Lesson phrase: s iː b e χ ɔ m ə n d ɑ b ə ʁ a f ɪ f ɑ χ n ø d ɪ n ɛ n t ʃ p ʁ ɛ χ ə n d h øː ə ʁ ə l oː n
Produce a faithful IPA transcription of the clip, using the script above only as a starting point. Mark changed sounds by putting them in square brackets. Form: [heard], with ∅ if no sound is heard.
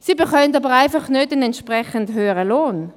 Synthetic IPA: s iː b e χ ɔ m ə n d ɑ b ə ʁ a [∅] ɪ f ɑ χ n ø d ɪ n ɛ n t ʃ p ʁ ɛ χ ə n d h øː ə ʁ ə l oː n